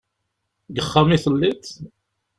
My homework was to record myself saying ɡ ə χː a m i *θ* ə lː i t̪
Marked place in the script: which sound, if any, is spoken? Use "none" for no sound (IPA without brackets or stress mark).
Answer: θ